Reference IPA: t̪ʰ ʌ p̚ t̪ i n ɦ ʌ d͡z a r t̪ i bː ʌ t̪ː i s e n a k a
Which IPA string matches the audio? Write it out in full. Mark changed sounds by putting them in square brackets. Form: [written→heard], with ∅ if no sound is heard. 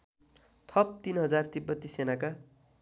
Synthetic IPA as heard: t̪ʰ ʌ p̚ t̪ i n ɦ ʌ d͡z a r t̪ i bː ʌ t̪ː i s e n a k a